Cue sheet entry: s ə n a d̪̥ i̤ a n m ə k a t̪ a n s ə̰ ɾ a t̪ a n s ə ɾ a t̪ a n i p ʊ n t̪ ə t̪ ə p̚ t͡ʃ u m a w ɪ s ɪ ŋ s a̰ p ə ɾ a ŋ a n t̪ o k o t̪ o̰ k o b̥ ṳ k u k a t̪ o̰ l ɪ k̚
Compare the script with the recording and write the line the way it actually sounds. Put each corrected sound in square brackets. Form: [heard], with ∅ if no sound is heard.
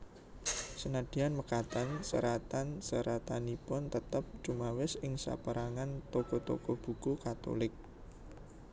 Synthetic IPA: s ə n a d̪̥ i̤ a n m ə k a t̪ a n s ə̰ ɾ a t̪ a n s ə ɾ a t̪ a n i p ʊ n t̪ ə t̪ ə p̚ t͡ʃ u m a w ɪ s ɪ ŋ s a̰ p ə ɾ a ŋ a n t̪ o k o t̪ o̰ k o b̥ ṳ k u k a t̪ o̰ l ɪ k̚